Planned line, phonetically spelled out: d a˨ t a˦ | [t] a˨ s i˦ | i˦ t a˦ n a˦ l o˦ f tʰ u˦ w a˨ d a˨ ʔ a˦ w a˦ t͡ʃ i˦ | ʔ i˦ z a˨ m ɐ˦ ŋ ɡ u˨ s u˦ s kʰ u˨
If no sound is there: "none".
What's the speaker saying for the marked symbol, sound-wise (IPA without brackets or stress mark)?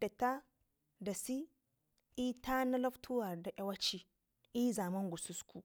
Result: d